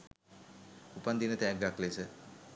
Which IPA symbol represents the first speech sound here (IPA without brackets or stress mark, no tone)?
u